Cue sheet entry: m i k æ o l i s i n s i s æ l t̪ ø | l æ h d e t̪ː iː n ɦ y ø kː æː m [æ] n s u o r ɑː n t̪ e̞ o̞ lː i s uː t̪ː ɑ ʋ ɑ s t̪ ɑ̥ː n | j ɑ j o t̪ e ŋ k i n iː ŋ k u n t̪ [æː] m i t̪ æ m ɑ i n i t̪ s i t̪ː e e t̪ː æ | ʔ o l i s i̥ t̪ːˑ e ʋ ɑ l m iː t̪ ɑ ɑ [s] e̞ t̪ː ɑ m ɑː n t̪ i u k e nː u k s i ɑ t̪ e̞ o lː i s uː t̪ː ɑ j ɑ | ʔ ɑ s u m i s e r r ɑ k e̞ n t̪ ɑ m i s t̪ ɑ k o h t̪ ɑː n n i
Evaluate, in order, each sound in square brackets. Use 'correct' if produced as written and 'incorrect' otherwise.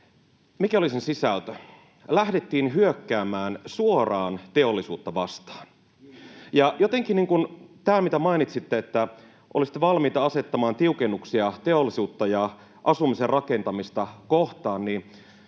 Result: incorrect: æː, correct, correct

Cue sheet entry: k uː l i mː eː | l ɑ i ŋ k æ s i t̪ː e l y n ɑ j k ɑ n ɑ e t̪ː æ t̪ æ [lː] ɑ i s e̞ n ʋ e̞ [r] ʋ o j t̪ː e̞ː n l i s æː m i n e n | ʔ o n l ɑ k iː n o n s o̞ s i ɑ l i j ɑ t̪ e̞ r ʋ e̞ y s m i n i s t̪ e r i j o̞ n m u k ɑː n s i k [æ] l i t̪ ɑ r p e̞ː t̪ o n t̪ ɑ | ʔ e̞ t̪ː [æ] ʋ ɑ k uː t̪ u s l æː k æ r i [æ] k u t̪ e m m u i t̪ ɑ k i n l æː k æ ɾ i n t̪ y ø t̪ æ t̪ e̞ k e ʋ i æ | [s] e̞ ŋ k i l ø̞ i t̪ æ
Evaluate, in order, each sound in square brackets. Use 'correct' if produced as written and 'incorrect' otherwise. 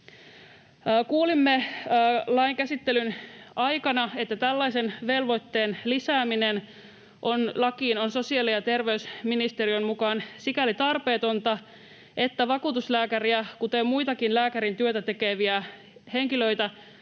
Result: correct, incorrect: l, correct, correct, correct, incorrect: h

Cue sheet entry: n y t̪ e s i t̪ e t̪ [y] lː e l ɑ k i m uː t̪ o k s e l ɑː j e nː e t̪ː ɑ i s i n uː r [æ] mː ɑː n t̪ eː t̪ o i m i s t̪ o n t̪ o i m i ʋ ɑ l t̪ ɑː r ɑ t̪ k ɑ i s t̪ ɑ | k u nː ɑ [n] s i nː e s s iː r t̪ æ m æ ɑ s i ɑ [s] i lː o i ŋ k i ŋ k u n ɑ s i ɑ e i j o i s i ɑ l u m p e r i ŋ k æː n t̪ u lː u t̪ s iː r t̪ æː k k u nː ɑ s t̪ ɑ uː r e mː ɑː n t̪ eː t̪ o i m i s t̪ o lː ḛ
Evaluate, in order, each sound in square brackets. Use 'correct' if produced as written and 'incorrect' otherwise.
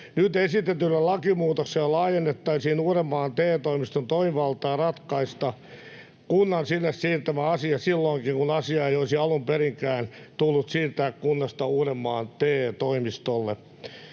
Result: correct, incorrect: e, correct, correct

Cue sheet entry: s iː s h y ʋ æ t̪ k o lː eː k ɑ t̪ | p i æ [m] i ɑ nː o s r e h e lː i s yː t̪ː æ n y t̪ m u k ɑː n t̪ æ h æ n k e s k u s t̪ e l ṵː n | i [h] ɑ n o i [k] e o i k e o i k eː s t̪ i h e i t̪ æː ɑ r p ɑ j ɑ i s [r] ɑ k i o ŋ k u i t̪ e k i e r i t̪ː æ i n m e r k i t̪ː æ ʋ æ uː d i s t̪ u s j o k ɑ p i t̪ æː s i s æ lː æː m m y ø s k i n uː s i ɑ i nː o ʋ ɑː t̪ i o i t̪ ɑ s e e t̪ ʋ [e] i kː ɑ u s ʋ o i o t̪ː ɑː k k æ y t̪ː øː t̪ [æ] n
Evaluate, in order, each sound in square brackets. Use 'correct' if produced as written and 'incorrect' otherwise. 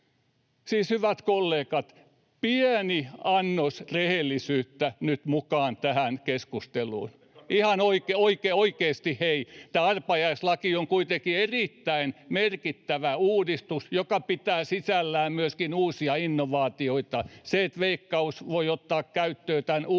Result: incorrect: n, correct, correct, incorrect: l, correct, correct

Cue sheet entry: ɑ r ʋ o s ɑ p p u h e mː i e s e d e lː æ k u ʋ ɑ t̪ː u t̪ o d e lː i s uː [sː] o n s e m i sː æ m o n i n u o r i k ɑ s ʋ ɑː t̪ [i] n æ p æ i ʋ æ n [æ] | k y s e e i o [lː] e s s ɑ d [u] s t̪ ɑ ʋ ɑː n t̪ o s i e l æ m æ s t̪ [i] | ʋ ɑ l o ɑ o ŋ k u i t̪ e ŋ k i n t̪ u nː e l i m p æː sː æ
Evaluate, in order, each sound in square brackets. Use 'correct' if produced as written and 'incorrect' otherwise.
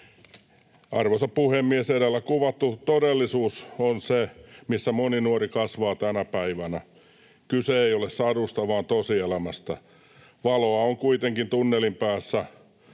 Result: incorrect: s, incorrect: æ, correct, incorrect: l, correct, incorrect: æ

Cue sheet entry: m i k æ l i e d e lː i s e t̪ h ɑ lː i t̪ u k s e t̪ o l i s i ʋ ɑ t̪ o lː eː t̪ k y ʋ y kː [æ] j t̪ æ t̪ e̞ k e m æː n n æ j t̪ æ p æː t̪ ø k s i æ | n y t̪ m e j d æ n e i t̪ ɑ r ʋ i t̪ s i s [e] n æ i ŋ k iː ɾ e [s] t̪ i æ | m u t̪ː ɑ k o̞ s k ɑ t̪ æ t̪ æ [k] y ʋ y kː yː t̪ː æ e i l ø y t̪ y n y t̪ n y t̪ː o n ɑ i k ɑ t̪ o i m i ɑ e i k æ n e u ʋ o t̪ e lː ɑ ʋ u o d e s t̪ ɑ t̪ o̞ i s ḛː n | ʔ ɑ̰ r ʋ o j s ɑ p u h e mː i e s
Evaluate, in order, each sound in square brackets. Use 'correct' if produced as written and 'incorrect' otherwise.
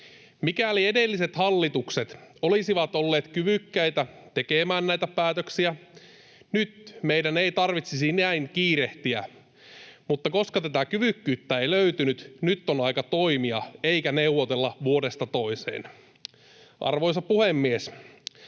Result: correct, incorrect: i, incorrect: h, correct

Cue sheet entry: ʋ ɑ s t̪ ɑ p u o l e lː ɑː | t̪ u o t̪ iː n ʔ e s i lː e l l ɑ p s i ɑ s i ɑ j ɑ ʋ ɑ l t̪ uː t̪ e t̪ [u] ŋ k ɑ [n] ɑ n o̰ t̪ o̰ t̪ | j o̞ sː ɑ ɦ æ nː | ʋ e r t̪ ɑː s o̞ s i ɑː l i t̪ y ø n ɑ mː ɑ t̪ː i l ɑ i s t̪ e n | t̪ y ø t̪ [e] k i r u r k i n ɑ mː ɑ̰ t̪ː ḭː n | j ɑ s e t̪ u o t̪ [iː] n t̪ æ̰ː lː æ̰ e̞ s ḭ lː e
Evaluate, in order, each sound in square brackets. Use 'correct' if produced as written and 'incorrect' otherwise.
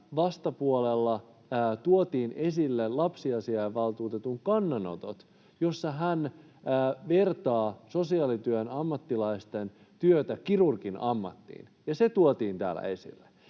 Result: correct, incorrect: nː, incorrect: æ, correct

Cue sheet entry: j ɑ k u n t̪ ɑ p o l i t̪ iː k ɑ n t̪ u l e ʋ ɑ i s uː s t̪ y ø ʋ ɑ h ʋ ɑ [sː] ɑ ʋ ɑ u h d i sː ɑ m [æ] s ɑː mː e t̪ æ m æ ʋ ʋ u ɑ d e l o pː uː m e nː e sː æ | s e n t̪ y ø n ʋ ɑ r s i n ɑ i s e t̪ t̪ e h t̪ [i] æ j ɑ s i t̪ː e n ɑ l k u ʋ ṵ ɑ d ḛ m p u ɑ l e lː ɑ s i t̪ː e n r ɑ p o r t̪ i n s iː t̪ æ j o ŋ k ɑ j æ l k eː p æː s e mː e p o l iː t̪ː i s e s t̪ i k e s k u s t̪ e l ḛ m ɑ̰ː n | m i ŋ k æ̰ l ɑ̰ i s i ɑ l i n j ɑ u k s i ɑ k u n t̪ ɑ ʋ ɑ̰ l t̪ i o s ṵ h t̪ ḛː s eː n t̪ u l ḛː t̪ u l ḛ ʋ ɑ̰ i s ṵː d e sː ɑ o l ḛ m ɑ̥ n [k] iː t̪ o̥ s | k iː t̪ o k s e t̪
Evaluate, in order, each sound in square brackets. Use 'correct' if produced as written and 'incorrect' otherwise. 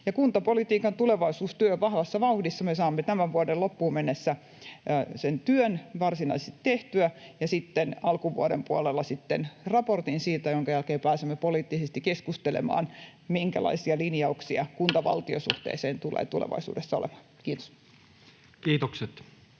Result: correct, incorrect: e, incorrect: y, correct

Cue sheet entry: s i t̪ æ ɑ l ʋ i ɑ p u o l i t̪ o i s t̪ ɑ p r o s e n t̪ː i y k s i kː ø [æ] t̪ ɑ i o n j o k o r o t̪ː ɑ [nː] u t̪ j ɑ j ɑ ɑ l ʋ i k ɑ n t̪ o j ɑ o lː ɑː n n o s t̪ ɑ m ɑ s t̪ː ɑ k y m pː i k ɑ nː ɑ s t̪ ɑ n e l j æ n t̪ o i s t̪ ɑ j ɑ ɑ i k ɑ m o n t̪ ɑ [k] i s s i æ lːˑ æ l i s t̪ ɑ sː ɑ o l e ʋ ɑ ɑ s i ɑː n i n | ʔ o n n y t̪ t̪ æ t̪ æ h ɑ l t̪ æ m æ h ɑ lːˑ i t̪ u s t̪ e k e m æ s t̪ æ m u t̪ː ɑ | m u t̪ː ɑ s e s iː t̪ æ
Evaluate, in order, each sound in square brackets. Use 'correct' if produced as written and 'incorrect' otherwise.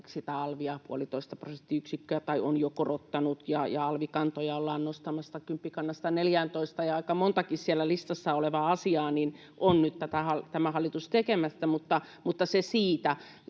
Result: correct, incorrect: n, correct

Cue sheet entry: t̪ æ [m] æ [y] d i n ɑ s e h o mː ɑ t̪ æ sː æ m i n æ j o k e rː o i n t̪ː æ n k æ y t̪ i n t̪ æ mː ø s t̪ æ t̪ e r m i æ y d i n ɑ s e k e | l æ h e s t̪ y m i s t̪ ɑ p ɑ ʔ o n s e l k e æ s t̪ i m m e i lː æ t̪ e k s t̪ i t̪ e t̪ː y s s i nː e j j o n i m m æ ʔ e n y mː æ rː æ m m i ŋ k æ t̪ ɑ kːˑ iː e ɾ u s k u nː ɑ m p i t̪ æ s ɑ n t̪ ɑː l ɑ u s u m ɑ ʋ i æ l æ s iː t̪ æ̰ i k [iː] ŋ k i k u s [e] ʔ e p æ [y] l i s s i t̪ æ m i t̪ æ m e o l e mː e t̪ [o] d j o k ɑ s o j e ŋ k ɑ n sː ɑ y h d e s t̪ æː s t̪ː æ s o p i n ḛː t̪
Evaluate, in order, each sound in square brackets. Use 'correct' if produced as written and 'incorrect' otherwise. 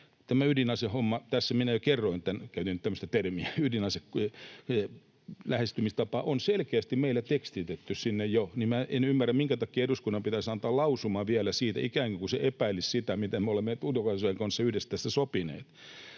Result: correct, correct, incorrect: æː, correct, incorrect: i, incorrect: u

